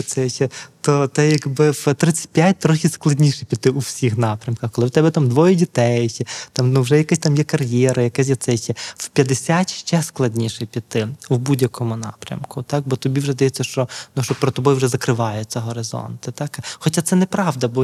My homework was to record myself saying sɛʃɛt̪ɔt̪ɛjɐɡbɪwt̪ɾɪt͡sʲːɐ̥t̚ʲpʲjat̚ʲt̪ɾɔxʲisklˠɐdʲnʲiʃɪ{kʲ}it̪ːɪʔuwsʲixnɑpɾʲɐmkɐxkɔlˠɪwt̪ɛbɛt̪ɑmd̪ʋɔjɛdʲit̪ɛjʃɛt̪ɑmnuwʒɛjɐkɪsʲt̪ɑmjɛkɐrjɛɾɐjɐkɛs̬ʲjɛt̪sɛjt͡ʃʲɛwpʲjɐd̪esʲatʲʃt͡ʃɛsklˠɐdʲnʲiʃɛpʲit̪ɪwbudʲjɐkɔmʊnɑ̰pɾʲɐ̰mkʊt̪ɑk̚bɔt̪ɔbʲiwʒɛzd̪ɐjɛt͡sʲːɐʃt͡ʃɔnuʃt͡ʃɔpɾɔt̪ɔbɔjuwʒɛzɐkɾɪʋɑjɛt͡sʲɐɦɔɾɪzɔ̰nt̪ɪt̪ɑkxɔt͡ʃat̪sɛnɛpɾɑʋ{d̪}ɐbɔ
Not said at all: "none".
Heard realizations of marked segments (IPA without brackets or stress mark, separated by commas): pʲ, d̪